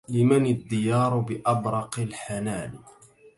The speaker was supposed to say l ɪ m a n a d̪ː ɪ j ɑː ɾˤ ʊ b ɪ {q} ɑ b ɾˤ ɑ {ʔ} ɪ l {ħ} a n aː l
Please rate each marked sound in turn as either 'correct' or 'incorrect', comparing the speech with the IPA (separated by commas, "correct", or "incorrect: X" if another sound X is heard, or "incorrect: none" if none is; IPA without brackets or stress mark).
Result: incorrect: ʔ, incorrect: q, correct